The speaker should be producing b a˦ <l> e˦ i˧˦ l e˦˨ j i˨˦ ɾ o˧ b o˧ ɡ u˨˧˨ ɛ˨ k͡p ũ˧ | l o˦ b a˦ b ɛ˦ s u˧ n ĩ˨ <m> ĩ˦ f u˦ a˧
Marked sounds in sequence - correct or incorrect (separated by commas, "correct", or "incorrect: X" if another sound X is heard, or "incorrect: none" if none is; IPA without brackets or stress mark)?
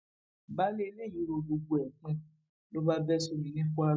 correct, incorrect: n